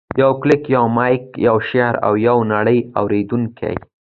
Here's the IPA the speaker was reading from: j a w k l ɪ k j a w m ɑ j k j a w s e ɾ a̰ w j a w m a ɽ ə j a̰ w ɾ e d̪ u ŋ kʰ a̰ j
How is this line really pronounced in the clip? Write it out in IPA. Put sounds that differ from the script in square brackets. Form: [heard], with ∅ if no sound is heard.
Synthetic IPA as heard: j a w k l ɪ k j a w m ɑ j k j a w [ʃ] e ɾ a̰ w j a w [n] a ɽ ə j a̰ w ɾ e d̪ u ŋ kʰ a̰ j